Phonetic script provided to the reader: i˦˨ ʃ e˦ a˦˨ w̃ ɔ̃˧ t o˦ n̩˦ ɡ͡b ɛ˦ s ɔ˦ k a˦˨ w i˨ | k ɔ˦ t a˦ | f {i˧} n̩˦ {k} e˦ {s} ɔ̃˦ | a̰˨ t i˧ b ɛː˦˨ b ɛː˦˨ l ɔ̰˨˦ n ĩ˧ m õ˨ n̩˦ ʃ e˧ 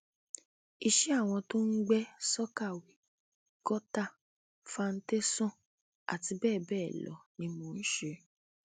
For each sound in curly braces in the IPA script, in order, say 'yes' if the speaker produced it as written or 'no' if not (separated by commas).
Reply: no, no, yes